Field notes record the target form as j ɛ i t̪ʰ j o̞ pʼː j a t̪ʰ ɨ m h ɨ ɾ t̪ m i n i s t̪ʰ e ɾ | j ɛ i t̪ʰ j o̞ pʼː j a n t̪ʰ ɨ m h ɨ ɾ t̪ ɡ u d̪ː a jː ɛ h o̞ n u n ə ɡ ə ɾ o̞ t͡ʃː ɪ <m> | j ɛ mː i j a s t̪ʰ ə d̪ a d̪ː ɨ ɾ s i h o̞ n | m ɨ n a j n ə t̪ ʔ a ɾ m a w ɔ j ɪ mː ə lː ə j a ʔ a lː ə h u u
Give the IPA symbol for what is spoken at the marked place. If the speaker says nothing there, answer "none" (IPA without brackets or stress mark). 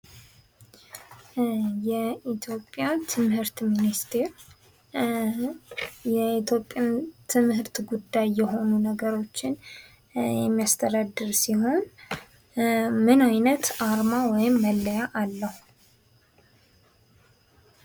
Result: n